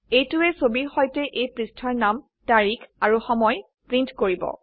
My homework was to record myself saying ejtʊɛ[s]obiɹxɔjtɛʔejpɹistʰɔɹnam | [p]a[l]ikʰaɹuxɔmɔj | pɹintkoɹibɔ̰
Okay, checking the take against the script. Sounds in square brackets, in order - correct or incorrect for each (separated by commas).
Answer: correct, incorrect, incorrect